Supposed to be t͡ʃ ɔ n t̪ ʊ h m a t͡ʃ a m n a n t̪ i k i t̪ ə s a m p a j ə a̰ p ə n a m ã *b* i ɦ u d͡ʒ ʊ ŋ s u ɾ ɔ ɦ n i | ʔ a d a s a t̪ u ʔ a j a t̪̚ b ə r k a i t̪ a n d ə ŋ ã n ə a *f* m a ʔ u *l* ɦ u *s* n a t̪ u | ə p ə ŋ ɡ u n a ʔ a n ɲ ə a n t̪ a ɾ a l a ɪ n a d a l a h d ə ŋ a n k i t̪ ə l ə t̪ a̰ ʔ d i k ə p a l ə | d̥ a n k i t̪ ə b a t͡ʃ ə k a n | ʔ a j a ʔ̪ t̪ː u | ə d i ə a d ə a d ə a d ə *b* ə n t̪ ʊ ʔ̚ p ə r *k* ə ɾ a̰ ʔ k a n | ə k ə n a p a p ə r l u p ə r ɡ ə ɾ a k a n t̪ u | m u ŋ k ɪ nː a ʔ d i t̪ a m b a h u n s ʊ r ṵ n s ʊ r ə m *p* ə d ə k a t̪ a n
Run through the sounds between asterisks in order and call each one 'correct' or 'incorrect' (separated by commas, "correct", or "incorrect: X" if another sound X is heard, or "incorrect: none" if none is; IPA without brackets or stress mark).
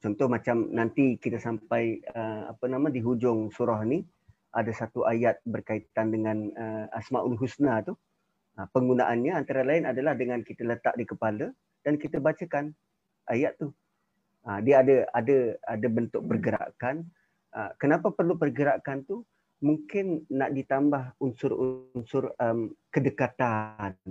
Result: incorrect: d, incorrect: s, correct, correct, correct, incorrect: ɡ, incorrect: k